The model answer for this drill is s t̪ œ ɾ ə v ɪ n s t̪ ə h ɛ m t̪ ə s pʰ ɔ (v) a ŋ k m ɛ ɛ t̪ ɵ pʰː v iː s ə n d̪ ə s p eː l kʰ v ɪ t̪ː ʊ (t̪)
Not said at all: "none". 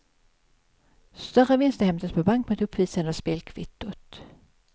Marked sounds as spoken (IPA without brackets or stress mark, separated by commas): b, t̪